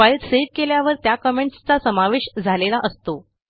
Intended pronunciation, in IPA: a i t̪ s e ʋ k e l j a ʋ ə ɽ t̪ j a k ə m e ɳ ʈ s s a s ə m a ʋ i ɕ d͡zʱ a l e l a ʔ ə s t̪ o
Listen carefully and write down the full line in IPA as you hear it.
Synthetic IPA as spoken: a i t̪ s e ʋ k e l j a ʋ ə ɾ t̪ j a k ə m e ɳ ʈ s t͡s a s ə m a ʋ e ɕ d͡zʱ a l e l a ʔ ə s t̪ o